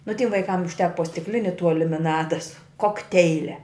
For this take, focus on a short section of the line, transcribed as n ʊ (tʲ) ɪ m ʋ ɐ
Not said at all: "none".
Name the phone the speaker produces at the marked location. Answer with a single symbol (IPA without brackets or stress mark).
tʲ